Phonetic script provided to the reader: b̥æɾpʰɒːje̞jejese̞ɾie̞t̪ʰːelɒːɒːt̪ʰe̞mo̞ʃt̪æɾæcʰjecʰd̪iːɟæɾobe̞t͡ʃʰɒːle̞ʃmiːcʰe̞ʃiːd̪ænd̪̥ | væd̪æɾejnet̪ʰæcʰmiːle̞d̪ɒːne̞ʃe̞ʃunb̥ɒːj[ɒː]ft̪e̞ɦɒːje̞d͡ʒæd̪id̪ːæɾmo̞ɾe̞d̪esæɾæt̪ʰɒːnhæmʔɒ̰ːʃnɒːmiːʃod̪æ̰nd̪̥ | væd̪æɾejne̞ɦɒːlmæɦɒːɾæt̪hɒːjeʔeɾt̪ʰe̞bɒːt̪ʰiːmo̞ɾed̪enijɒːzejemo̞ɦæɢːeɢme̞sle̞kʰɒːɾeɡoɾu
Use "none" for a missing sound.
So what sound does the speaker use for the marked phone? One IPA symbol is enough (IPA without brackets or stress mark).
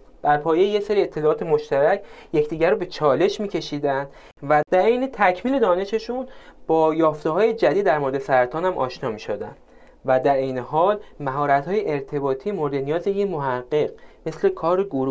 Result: ɒː